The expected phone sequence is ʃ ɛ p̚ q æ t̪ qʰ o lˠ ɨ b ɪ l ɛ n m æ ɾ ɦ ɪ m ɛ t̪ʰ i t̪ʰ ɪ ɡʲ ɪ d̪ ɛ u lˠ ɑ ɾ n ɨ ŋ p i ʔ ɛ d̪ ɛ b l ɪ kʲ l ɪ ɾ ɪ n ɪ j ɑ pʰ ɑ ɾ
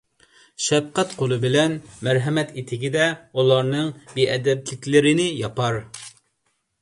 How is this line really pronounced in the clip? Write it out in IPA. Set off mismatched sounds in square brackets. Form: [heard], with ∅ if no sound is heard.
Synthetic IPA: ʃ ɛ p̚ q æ t̪ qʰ o lˠ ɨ b ɪ l ɛ n m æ ɾ ɦ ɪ m ɛ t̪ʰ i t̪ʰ ɪ ɡʲ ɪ d̪ ɛ u lˠ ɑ ɾ n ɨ ŋ [b] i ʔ ɛ d̪ ɛ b l ɪ kʲ l ɪ ɾ ɪ n ɪ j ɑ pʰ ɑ ɾ